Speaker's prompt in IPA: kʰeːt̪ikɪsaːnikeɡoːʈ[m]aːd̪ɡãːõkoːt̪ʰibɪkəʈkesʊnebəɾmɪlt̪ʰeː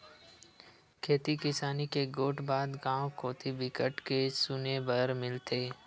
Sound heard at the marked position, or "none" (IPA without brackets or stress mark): b